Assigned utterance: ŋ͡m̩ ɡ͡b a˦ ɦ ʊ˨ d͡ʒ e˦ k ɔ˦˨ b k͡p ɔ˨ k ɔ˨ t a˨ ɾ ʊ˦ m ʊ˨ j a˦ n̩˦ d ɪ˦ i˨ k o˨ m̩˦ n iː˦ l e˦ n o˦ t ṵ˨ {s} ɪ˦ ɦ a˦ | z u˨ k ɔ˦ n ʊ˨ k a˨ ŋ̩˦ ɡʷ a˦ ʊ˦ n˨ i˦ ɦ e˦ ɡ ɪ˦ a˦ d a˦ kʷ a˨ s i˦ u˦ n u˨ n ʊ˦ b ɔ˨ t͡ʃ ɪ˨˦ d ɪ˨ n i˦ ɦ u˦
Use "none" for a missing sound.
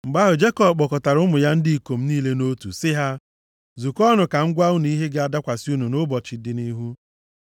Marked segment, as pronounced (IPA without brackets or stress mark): s